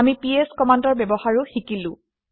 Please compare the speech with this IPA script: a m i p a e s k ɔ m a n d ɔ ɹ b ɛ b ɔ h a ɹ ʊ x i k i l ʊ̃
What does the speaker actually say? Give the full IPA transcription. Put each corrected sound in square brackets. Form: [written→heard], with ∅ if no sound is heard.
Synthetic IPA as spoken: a m i p [a→i] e s k ɔ m a n d ɔ ɹ b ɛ b ɔ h a ɹ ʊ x i k i l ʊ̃

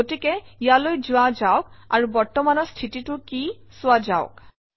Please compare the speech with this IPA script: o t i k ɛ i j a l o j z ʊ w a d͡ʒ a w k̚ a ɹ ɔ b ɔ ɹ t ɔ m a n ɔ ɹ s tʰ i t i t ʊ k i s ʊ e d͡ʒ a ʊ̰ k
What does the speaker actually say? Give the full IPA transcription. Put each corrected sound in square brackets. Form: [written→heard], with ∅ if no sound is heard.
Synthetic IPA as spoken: o t i k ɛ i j a l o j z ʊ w a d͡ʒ a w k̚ a ɹ [ɔ→u] b ɔ ɹ t ɔ m a n ɔ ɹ s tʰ i t i t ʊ k i s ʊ [e→a] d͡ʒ a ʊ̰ k

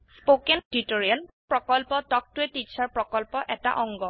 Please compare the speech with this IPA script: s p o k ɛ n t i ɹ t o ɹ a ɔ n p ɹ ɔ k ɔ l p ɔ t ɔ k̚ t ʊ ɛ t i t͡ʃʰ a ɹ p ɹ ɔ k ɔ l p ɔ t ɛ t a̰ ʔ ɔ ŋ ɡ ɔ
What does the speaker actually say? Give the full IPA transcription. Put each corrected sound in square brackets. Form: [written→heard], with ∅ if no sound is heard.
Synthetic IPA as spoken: s p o k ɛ n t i [ɹ→∅] t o ɹ [a→i] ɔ n p ɹ ɔ k ɔ l p ɔ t ɔ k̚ t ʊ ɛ t i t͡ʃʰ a ɹ p ɹ ɔ k ɔ l p ɔ [t→ʔ] ɛ t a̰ ʔ ɔ ŋ ɡ ɔ

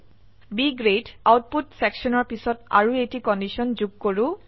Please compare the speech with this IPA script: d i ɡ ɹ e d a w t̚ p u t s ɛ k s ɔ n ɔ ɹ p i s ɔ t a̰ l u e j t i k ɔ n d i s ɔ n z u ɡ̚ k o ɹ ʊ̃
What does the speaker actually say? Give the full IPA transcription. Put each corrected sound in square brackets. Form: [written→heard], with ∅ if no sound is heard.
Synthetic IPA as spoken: [d→b] i ɡ ɹ e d a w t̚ p u t s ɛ k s ɔ n ɔ ɹ p i s ɔ t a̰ [l→ɹ] u e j t i k ɔ n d i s ɔ n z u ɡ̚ k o ɹ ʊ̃

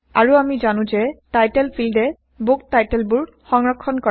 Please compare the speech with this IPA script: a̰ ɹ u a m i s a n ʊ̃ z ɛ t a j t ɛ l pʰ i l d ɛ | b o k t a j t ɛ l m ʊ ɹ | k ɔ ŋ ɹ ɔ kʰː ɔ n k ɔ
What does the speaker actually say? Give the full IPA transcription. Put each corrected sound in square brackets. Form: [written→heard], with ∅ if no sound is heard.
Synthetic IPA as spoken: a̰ ɹ u a m i [s→z] a n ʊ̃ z ɛ t a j t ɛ l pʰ i l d ɛ | b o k t a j t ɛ l [m→b] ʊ ɹ | [k→x] ɔ ŋ ɹ ɔ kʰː ɔ n k ɔ

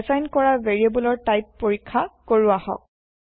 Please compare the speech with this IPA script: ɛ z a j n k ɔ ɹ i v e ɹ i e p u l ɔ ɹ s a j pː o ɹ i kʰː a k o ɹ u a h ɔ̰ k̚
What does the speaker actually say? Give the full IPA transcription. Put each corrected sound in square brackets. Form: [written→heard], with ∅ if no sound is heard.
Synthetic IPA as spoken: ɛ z a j n k ɔ ɹ [i→a] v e ɹ i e [p→b] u l ɔ ɹ [s→t] a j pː o ɹ i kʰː a k o ɹ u a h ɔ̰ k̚

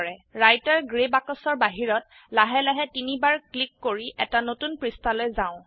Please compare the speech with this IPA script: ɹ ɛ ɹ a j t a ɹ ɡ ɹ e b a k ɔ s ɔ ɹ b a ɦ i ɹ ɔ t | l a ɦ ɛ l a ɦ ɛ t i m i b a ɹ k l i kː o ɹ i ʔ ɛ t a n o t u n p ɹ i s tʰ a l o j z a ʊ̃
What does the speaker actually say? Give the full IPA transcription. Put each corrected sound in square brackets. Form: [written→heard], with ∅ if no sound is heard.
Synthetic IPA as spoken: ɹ ɛ ɹ a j t a ɹ ɡ ɹ e b a k ɔ s ɔ ɹ b a ɦ i ɹ ɔ t | l a ɦ ɛ l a ɦ ɛ t i [m→n] i b a ɹ k l i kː o ɹ i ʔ ɛ t a n o t u n p ɹ i s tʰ a l o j z a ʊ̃

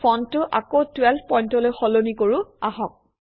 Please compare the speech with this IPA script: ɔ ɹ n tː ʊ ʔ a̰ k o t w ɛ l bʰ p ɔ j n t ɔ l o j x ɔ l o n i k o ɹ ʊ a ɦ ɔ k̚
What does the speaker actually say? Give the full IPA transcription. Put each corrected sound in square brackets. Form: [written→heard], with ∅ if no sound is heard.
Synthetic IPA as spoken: ɔ [ɹ→∅] n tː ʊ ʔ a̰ k o t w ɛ l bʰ p ɔ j n t ɔ l o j x ɔ l o n i k o ɹ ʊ a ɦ ɔ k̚

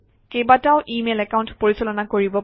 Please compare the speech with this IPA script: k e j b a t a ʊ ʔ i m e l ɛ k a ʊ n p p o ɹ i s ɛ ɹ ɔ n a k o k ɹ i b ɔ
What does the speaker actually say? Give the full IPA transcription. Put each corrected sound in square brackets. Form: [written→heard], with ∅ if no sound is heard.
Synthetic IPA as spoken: k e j b a t a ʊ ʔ i m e l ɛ k a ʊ n [p→t] p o ɹ i s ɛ [ɹ→l] ɔ n a k o [k→∅] ɹ i b ɔ

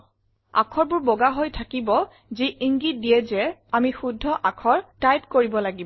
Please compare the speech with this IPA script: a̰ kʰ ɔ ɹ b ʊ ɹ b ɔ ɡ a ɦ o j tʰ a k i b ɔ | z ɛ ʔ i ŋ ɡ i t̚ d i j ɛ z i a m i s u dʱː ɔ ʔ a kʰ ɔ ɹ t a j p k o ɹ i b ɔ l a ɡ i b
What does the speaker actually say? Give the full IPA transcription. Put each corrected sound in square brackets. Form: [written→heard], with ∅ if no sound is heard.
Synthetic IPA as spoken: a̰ kʰ ɔ ɹ b ʊ ɹ b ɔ ɡ a ɦ o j tʰ a k i b ɔ | z [ɛ→i] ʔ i ŋ ɡ i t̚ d i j ɛ z [i→ɛ] a m i [s→x] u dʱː ɔ ʔ a kʰ ɔ ɹ t a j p k o ɹ i b ɔ l a ɡ i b

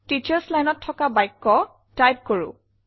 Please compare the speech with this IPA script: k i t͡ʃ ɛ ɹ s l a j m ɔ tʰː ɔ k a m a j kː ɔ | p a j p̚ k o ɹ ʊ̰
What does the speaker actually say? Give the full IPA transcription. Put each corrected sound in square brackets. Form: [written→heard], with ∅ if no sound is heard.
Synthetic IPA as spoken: [k→t] i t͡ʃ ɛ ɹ s l a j [m→n] ɔ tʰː ɔ k a [m→b] a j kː ɔ | [p→t] a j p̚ k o ɹ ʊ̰

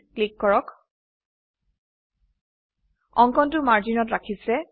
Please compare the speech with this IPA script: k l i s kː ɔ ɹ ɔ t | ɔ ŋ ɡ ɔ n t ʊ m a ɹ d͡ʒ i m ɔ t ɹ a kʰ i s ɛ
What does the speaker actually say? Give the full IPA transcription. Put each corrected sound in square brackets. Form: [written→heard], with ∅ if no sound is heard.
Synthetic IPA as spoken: k l i [s→∅] kː ɔ ɹ ɔ [t→k] | ɔ ŋ [ɡ→k] ɔ n t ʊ m a ɹ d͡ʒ i [m→n] ɔ t ɹ a kʰ i s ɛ

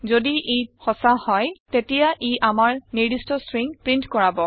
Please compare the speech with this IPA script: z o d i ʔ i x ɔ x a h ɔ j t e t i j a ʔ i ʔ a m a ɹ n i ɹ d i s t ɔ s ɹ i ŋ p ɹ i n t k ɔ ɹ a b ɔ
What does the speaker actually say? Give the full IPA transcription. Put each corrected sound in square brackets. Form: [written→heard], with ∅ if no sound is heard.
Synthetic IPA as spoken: z o d i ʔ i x ɔ [x→s] a h ɔ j t e t i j a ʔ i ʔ a m a ɹ n i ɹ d i s t ɔ s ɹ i ŋ p ɹ i n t k ɔ ɹ a b ɔ

